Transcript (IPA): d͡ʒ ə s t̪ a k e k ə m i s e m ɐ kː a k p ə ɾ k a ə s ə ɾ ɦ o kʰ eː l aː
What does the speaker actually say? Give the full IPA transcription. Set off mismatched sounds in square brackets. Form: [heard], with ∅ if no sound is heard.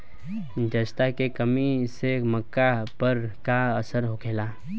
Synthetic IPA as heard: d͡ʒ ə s t̪ a k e k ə m i s e m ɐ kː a [∅] p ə ɾ k a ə s ə ɾ ɦ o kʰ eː l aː